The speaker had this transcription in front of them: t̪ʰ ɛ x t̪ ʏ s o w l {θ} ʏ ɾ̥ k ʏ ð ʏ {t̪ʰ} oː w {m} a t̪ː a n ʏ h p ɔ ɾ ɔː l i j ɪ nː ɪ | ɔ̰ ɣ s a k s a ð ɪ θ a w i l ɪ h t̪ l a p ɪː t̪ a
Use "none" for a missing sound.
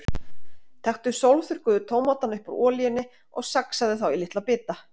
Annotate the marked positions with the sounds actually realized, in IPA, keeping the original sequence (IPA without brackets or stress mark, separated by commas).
θ, t̪ʰ, m